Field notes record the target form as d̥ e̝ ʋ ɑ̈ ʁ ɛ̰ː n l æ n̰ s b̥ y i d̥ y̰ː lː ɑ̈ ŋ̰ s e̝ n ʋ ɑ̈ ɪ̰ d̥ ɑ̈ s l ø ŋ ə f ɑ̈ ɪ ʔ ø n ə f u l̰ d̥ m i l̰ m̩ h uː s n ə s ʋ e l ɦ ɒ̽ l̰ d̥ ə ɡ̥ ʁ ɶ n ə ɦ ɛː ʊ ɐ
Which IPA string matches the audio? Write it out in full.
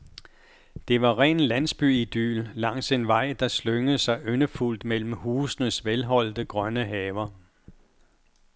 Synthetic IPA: d̥ e̝ ʋ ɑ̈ ʁ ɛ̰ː n l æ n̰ s b̥ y i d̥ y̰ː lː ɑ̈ ŋ̰ s e̝ n ʋ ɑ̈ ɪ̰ d̥ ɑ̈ s l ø ŋ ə s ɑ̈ ɪ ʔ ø n ə f u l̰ d̥ m e l̰ m̩ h uː s n ə s ʋ e l ɦ ɒ̽ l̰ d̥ ə ɡ̥ ʁ ɶ n ə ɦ ɛː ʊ ɐ